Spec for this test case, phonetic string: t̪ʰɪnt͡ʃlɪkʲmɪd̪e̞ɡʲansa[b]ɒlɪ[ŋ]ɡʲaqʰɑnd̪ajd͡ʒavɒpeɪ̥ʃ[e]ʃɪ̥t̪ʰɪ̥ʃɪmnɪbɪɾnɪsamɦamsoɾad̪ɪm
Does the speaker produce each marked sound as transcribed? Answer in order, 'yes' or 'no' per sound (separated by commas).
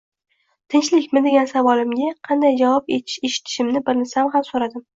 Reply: no, no, yes